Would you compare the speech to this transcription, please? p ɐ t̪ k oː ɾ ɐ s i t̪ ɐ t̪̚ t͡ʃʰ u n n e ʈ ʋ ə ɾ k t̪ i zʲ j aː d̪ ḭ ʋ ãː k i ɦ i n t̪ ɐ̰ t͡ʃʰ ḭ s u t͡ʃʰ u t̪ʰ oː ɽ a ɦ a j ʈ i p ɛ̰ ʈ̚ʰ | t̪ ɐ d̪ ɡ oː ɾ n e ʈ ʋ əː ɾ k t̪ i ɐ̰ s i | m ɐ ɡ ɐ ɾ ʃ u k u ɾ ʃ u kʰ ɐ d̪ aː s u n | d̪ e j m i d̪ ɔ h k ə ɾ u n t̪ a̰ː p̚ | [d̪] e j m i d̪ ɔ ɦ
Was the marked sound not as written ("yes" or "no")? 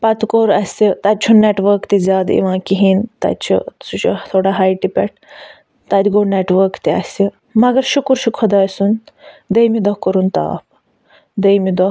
no